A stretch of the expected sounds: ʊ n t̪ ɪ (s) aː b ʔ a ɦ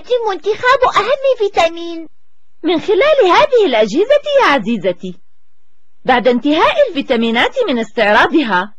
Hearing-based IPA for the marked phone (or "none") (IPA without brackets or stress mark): x